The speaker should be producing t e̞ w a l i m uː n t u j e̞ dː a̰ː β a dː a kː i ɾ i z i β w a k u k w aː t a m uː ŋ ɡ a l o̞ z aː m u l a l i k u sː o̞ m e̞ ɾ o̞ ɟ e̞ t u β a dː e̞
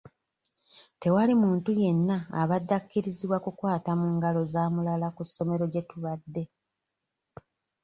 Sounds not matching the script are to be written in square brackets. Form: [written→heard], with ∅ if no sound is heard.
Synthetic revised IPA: t e̞ w a l i m uː n t u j e̞ [dː→nː] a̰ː β a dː a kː i ɾ i z i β w a k u k w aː t a m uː ŋ ɡ a l o̞ z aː m u l a l [i→a] k u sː o̞ m e̞ ɾ o̞ ɟ e̞ t u β a dː e̞